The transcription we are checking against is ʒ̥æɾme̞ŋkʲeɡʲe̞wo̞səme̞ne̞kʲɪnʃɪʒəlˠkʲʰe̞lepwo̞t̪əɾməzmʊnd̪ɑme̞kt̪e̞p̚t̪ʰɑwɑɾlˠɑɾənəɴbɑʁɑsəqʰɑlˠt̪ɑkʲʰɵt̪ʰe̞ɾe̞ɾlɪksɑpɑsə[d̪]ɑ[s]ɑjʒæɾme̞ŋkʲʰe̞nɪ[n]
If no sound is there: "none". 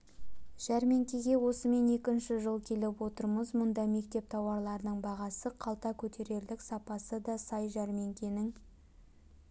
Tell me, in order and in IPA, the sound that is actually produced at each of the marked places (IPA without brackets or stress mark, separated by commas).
d̪, s, ŋ